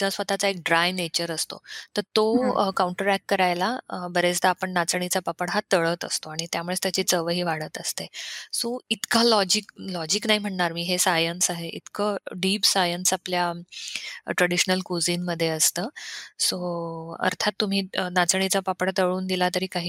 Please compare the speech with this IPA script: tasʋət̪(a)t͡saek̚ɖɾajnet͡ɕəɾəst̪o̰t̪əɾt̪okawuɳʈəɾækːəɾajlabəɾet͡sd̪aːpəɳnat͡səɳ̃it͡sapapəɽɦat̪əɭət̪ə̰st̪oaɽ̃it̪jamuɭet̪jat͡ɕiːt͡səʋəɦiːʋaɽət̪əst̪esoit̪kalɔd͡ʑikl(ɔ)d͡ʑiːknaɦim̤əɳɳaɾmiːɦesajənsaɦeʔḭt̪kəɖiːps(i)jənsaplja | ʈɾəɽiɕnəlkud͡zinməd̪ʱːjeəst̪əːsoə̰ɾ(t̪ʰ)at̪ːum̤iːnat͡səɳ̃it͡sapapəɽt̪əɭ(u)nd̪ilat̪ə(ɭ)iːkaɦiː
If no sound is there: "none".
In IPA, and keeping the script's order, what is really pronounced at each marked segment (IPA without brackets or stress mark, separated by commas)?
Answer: a, ɔ, a, t̪ʰ, uː, ɾ